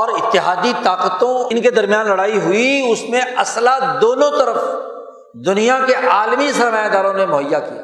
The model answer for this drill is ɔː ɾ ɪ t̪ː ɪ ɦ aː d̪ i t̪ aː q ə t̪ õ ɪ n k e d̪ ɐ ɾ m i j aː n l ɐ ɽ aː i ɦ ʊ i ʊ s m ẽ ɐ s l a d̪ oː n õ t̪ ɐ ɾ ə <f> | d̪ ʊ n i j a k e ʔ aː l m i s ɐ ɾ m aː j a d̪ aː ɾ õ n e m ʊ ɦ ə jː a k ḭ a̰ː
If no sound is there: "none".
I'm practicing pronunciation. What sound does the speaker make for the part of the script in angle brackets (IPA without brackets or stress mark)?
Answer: f